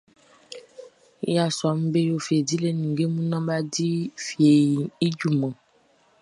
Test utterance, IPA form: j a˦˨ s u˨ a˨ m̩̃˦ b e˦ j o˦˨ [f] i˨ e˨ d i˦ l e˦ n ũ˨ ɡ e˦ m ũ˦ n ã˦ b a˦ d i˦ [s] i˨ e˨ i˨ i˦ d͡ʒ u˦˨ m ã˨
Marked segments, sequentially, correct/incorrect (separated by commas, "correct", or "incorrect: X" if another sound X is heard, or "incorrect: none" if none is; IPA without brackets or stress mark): correct, incorrect: f